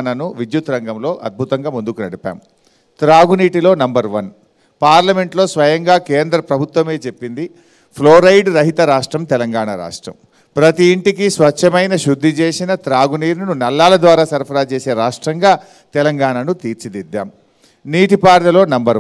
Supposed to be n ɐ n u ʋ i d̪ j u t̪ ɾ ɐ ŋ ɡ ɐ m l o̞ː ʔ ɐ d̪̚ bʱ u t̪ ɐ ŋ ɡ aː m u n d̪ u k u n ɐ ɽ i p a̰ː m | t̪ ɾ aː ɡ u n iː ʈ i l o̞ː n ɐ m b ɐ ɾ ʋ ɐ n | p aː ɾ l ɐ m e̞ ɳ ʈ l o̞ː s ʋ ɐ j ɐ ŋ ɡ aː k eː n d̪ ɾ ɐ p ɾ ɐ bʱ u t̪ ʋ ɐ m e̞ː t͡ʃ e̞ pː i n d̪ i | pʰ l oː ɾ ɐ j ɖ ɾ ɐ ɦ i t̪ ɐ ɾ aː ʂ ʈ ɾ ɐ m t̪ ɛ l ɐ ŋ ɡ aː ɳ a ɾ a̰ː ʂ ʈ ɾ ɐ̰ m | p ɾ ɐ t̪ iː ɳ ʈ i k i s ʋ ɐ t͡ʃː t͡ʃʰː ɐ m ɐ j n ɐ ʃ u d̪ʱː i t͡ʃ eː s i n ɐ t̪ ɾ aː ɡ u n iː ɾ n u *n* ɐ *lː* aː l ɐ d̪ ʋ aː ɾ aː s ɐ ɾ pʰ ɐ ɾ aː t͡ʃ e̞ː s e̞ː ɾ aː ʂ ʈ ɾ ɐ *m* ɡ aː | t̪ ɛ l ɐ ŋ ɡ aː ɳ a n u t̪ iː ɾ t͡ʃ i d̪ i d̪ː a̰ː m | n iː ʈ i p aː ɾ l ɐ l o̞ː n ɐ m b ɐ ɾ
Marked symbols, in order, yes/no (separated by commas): yes, yes, no